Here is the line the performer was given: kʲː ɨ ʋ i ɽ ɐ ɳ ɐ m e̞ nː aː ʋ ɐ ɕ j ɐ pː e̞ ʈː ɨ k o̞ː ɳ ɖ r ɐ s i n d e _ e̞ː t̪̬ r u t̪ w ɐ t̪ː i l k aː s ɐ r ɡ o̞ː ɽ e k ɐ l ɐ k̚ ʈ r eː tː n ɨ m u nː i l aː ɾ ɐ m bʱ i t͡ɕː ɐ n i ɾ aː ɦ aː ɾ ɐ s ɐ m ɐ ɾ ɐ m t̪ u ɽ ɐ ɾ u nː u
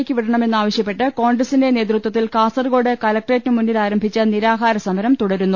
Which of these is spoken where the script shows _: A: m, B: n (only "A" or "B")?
B